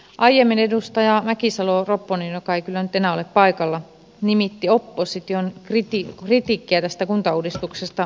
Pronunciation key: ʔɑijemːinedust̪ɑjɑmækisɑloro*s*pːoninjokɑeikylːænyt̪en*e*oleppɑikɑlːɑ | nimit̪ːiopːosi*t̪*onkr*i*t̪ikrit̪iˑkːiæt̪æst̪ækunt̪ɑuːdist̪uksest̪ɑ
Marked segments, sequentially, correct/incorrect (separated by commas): incorrect, incorrect, correct, correct